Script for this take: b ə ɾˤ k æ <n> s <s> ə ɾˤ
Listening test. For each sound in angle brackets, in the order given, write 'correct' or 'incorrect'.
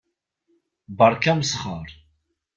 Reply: incorrect, incorrect

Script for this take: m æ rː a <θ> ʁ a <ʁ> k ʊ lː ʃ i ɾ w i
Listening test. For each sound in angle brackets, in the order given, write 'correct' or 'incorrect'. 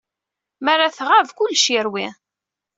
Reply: correct, incorrect

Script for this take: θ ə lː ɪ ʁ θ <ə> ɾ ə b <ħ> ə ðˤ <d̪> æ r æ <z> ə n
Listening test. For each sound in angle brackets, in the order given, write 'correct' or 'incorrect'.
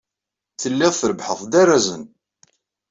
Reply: correct, correct, correct, correct

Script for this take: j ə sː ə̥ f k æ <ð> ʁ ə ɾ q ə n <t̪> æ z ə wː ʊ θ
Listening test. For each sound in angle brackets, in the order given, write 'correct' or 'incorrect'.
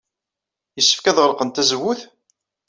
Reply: correct, correct

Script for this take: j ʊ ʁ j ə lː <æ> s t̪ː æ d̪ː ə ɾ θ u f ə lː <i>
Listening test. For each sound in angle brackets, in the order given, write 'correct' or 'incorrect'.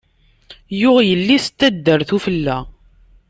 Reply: incorrect, incorrect

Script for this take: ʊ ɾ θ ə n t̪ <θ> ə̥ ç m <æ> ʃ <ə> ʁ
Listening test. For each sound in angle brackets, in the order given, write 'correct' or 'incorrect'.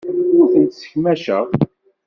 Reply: incorrect, correct, correct

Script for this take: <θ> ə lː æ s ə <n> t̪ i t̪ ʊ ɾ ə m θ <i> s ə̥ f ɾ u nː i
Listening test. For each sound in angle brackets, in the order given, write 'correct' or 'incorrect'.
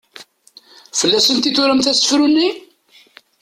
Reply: incorrect, correct, incorrect

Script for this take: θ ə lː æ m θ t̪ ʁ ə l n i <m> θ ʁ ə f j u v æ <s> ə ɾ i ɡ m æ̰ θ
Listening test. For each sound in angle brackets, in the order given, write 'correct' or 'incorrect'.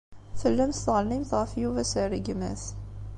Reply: correct, correct

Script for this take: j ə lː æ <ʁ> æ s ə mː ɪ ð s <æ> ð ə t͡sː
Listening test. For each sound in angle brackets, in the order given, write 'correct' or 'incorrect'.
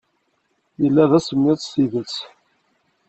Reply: incorrect, incorrect

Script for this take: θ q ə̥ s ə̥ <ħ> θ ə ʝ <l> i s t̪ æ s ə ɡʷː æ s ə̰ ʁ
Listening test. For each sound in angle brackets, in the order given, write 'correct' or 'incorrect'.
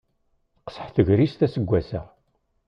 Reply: correct, incorrect

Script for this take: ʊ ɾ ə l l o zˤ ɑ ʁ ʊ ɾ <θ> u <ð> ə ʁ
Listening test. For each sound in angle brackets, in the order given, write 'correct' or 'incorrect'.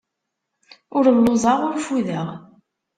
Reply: incorrect, correct

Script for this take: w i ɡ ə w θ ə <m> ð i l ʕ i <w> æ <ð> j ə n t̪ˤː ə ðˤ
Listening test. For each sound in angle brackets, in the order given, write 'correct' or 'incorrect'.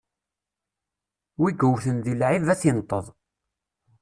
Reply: incorrect, incorrect, incorrect

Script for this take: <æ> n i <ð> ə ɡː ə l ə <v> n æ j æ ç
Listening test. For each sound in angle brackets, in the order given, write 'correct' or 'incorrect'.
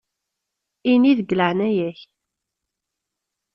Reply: incorrect, correct, incorrect

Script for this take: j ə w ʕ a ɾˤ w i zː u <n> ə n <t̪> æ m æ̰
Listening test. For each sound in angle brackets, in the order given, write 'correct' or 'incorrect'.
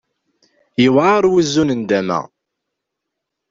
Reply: correct, incorrect

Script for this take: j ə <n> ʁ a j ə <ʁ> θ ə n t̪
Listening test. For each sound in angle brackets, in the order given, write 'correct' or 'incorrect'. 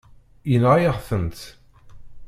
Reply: correct, correct

